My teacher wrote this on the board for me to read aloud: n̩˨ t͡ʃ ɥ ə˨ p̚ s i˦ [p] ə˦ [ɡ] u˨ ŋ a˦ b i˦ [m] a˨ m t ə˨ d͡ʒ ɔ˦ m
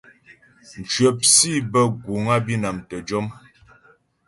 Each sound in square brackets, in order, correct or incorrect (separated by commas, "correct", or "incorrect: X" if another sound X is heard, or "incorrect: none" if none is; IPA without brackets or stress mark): incorrect: b, correct, incorrect: n